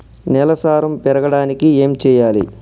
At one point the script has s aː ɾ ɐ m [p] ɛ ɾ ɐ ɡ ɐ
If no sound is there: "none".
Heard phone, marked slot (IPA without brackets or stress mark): p